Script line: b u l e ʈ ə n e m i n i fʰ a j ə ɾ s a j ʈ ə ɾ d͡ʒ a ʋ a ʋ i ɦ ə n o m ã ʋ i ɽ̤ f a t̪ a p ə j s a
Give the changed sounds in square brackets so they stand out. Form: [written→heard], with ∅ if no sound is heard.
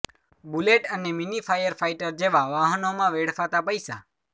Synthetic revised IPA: b u l e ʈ ə n e m i n i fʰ a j ə ɾ [s→f] a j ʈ ə ɾ d͡ʒ [a→e] ʋ a ʋ [i→a] ɦ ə n o m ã ʋ [i→e] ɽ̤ f a t̪ a p ə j s a